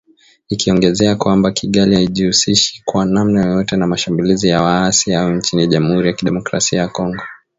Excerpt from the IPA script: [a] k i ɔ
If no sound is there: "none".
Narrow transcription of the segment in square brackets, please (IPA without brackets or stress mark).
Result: i